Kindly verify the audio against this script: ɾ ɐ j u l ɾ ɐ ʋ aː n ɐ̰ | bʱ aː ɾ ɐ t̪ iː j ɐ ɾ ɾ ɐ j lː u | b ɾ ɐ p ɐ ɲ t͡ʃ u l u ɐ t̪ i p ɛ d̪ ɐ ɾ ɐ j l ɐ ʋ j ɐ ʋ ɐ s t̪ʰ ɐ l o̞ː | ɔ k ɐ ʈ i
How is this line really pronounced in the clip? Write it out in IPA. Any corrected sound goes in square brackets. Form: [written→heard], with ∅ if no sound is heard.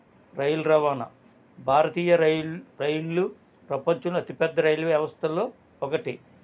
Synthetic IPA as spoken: ɾ ɐ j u l ɾ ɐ ʋ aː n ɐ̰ | bʱ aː ɾ ɐ t̪ iː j ɐ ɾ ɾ ɐ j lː u | [b→p] ɾ ɐ p ɐ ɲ t͡ʃ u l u ɐ t̪ i p ɛ [d̪→d̪ː] ɐ ɾ ɐ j l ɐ ʋ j ɐ ʋ ɐ s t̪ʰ ɐ l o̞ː | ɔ k ɐ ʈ i